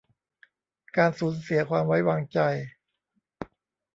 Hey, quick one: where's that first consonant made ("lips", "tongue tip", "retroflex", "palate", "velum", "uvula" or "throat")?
velum